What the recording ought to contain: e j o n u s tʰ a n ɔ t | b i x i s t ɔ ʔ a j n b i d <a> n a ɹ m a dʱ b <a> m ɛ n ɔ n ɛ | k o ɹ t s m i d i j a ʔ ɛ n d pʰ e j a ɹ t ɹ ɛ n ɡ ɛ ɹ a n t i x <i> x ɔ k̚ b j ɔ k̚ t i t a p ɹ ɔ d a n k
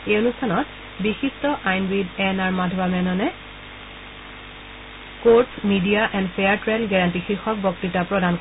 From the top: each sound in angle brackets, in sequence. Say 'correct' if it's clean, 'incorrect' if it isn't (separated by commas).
incorrect, correct, correct